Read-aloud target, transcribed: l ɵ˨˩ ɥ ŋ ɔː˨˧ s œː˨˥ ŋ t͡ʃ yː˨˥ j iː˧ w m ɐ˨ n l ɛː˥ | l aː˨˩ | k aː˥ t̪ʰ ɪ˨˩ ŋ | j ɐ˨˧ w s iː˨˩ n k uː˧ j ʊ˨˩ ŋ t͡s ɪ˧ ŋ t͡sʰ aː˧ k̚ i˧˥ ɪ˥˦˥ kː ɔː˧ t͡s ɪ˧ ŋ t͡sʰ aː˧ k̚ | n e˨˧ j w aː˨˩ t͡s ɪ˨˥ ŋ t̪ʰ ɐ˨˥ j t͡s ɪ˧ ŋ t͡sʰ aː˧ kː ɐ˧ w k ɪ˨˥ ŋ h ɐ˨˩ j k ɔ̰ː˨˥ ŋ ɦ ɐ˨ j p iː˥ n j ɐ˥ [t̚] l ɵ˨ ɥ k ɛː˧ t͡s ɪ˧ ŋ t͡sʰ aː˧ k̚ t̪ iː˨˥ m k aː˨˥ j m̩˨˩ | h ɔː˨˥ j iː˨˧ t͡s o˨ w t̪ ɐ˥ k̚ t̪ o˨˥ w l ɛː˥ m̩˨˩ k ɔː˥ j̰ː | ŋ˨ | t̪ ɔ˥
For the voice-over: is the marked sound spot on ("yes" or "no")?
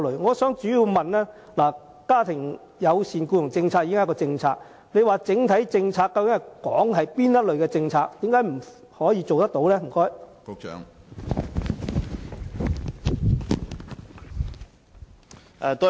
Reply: yes